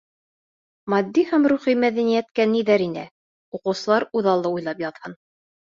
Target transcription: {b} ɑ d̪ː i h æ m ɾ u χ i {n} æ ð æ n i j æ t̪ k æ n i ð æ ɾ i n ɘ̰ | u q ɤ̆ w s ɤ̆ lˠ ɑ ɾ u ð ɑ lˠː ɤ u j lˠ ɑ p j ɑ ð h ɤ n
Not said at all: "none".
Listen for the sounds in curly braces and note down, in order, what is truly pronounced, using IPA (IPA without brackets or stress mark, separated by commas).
m, m